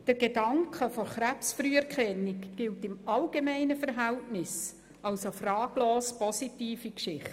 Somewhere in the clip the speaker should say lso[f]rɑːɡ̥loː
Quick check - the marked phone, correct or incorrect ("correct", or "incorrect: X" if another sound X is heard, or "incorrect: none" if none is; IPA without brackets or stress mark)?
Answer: correct